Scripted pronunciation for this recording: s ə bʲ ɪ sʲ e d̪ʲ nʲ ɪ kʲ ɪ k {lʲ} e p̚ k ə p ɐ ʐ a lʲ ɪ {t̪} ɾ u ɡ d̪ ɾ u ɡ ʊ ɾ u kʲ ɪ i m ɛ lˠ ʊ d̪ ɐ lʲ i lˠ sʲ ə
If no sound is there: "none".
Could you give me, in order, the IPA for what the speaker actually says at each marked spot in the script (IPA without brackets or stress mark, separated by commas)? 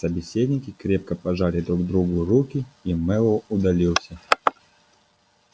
ɾʲ, d̪